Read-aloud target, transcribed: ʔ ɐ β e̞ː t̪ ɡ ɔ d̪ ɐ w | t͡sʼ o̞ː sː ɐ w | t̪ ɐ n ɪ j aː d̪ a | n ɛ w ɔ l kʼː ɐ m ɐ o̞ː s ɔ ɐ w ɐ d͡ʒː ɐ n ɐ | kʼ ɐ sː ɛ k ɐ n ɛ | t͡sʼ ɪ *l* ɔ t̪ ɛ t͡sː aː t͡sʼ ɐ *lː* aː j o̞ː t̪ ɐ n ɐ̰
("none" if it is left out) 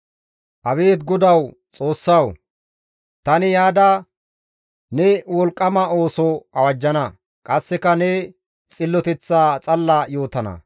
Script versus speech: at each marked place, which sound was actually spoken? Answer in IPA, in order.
lː, lː

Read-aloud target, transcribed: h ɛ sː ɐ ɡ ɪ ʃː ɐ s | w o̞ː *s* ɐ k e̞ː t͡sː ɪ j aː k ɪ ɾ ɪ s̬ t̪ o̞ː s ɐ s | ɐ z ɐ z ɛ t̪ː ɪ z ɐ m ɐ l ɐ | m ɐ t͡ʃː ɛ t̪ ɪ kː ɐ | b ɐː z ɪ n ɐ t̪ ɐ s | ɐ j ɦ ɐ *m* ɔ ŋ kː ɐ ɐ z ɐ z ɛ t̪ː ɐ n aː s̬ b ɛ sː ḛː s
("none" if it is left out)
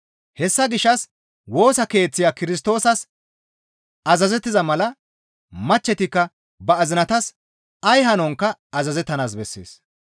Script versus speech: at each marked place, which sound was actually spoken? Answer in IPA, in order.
s, n

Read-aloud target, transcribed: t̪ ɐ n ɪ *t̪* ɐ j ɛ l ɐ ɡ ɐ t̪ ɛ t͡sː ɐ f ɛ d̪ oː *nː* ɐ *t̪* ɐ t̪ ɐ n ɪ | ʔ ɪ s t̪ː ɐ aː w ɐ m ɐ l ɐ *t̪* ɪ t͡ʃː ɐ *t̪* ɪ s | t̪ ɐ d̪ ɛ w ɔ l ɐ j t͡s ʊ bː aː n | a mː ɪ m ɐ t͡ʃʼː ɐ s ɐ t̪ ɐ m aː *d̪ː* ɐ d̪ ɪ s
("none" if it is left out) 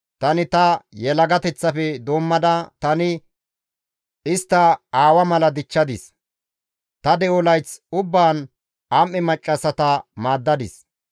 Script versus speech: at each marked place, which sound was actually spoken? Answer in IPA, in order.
t̪, mː, d̪, d̪, d̪, d̪ː

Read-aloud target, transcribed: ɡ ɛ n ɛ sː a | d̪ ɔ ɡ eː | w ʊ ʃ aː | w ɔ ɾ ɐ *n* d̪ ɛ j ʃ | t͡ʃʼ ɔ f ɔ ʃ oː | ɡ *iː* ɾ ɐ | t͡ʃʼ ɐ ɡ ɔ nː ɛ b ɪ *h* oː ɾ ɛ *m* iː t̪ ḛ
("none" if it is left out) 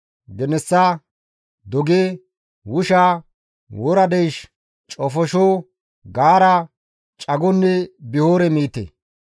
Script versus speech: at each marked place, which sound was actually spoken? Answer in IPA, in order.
none, aː, h, m

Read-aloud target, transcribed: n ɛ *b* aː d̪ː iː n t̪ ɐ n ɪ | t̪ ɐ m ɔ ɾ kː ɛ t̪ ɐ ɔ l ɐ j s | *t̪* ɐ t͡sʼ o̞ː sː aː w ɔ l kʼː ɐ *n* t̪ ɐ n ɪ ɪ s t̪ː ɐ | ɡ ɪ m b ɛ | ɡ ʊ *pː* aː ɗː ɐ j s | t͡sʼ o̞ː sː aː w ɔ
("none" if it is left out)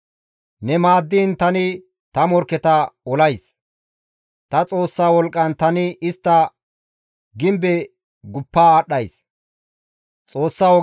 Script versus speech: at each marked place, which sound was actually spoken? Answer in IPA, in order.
m, t̪, n, pː

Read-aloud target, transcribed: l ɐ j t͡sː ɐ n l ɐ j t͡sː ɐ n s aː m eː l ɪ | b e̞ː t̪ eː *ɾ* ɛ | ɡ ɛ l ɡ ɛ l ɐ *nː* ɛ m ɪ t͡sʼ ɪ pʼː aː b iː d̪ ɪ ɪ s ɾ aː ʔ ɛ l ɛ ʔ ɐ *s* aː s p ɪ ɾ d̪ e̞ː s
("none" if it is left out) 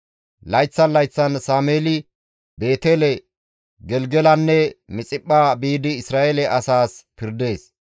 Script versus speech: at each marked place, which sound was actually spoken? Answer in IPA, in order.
l, nː, s

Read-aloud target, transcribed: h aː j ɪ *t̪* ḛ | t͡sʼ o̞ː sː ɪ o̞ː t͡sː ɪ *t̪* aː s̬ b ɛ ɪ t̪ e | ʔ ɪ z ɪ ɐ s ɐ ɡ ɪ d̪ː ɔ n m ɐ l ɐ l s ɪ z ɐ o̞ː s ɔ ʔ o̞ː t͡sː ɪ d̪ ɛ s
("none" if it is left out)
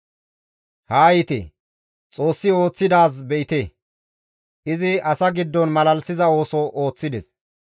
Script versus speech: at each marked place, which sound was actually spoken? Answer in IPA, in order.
t̪, d̪

